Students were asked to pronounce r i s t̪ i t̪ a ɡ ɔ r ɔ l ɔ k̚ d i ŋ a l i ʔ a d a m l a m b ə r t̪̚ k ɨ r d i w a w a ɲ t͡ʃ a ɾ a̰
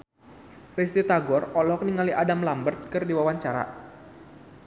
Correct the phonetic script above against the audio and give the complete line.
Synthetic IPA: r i s t̪ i t̪ a ɡ ɔ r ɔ l ɔ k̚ n i ŋ a l i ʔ a d a m l a m b ə r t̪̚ k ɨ r d i w a w a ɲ t͡ʃ a ɾ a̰